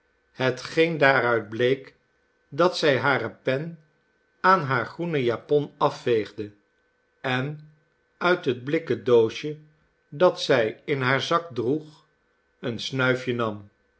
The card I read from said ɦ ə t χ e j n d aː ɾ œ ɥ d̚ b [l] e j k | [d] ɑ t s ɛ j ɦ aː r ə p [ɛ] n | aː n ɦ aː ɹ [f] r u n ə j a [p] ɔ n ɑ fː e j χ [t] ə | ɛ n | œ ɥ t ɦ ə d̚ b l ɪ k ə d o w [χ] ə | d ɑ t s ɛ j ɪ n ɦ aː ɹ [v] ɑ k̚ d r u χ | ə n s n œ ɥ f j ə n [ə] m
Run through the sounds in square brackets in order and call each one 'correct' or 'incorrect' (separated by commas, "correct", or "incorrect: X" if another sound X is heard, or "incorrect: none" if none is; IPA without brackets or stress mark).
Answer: correct, correct, correct, incorrect: χ, correct, incorrect: d, incorrect: ʃ, incorrect: z, incorrect: ɑ